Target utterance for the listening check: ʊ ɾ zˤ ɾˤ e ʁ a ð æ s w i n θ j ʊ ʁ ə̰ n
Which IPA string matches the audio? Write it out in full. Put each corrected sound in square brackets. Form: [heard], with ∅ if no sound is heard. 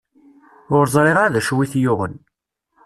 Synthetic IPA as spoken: ʊ ɾ zˤ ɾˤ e ʁ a ð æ [ʃ] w i [∅] θ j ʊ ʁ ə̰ n